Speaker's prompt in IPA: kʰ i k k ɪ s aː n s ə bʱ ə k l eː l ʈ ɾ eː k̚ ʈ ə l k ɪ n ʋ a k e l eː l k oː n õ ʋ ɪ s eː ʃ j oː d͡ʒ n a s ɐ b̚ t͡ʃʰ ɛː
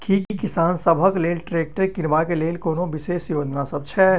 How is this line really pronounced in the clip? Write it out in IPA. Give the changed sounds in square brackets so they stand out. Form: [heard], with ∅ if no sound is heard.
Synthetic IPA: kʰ i k k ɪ s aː n s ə bʱ ə k l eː l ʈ ɾ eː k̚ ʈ ə [ɾ] k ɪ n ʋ a k e l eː l k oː n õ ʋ ɪ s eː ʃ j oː d͡ʒ n a s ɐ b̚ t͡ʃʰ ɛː

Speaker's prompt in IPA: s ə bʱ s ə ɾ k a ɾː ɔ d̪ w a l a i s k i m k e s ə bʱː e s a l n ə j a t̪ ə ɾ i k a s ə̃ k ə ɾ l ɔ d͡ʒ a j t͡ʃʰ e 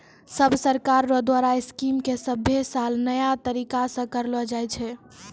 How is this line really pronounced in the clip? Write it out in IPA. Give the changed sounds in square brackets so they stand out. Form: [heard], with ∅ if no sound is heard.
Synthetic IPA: s ə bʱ s ə ɾ k a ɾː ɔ d̪ w a [ɾ] a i s k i m k e s ə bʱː e s a l n ə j a t̪ ə ɾ i k a s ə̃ k ə ɾ l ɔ d͡ʒ a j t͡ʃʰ [ɛ]

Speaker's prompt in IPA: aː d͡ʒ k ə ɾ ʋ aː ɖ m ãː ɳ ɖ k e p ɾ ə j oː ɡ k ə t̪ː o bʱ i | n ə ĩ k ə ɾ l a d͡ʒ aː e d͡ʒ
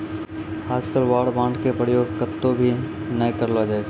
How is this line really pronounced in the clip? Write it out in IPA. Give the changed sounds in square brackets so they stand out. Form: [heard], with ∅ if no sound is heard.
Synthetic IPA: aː d͡ʒ k ə [l] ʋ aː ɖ [b] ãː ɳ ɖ k e p ɾ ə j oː ɡ k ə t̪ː o bʱ i | n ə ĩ k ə ɾ l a d͡ʒ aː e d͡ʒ

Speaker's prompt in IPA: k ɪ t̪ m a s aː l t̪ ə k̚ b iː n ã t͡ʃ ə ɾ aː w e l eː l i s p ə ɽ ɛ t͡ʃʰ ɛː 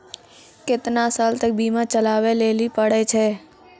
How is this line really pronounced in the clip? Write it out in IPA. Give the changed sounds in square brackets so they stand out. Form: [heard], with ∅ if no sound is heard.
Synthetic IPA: k ɪ t̪ [n] a s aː l t̪ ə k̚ b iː [m] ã t͡ʃ ə [l] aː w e l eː l i [∅] p ə ɽ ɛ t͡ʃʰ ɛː

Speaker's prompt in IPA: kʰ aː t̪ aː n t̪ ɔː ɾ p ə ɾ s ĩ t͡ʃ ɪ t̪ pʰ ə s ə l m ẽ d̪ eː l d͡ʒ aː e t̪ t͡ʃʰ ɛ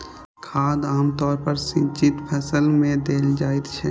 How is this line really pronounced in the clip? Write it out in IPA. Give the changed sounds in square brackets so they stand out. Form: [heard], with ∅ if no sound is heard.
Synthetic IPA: kʰ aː [d̪] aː [m] t̪ ɔː ɾ p ə ɾ s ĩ t͡ʃ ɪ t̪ pʰ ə s ə l m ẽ d̪ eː l d͡ʒ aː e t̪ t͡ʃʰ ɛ

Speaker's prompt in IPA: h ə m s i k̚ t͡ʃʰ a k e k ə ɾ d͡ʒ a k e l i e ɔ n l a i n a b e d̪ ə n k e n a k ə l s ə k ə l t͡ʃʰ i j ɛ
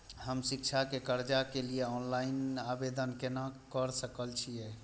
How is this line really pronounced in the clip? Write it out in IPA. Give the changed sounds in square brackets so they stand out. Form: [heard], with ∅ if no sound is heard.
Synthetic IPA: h ə m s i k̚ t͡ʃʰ a k e k ə ɾ d͡ʒ a k e l i e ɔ n l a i n a b e d̪ ə n k e n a k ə [ɾ] s ə k ə l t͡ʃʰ i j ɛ

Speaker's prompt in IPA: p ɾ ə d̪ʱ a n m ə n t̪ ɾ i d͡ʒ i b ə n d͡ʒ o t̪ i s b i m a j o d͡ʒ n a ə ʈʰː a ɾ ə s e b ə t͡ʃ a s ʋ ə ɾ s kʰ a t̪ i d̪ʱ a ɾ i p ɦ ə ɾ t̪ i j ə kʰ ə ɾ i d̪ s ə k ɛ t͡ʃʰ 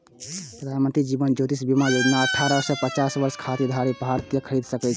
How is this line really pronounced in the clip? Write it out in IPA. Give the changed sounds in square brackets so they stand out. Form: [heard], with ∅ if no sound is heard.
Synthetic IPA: p ɾ ə d̪ʱ a n m ə n t̪ ɾ i d͡ʒ i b ə n d͡ʒ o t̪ i s b i m a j o d͡ʒ n a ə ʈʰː a ɾ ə s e [p] ə t͡ʃ a s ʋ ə ɾ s kʰ a t̪ i d̪ʱ a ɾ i p ɦ [a] ɾ t̪ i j ə kʰ ə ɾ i d̪ s ə k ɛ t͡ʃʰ

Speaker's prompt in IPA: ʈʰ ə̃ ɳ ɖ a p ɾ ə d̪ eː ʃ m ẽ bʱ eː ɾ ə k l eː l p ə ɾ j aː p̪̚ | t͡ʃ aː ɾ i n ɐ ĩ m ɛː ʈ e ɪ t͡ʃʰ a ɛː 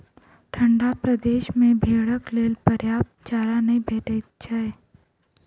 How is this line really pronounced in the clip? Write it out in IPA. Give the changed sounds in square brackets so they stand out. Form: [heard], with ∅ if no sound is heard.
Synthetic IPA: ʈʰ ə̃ ɳ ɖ a p ɾ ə d̪ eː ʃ m ẽ bʱ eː [ɽ] ə k l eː l p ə ɾ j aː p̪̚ | t͡ʃ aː ɾ [a] n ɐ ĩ [b] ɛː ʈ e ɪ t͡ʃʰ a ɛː

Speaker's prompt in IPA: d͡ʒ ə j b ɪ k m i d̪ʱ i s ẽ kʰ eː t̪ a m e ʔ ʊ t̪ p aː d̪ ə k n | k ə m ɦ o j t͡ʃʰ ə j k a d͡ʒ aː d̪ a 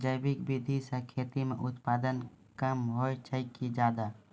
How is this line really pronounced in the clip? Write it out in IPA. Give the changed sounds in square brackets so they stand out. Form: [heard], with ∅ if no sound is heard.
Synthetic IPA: d͡ʒ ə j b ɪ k [b] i d̪ʱ i s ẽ kʰ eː t̪ [i] m e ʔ ʊ t̪ p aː d̪ ə [∅] n | k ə m ɦ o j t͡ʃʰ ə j k [i] d͡ʒ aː d̪ a

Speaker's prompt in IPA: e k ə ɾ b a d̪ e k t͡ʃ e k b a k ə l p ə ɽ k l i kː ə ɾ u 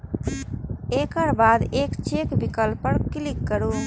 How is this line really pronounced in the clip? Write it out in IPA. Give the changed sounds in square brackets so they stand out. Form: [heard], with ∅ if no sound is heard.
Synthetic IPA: e k ə ɾ b a d̪ e k t͡ʃ e k b [i] k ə l p ə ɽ k l i kː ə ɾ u

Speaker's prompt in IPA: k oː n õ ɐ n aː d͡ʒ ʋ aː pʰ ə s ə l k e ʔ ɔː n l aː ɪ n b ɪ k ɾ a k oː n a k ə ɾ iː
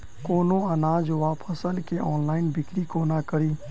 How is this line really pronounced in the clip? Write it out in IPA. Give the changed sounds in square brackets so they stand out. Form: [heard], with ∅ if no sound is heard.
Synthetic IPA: k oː n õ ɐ n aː d͡ʒ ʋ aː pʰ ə s ə l k e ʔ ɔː n l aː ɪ n b ɪ k ɾ [i] k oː n a k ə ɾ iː

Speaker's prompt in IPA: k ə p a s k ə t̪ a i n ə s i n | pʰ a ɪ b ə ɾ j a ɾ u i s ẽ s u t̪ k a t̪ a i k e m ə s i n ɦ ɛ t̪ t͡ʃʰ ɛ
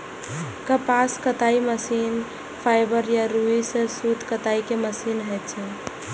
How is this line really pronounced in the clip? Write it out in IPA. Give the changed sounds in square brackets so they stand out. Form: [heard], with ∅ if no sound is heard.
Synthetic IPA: k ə p a s k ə t̪ a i [m] ə s i n | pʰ a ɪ b ə ɾ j a ɾ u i s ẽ s u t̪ k [ə] t̪ a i k e m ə s i n ɦ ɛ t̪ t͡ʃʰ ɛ

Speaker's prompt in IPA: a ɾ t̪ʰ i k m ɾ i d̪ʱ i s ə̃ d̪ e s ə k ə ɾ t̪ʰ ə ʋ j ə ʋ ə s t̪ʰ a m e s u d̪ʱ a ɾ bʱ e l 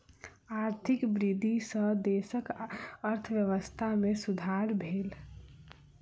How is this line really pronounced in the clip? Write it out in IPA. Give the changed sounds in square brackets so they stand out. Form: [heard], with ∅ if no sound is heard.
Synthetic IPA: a ɾ t̪ʰ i k [b] ɾ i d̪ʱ i s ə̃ d̪ e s ə k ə ɾ t̪ʰ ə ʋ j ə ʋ ə s t̪ʰ a m e s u d̪ʱ a ɾ bʱ e l

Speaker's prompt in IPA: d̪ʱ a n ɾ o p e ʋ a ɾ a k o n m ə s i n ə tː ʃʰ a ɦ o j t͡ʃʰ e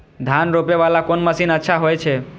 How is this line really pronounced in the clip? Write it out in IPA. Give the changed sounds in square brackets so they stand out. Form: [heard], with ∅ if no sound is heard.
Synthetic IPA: d̪ʱ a n ɾ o p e ʋ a [l] a k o n m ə s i n ə tː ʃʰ a ɦ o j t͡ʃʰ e

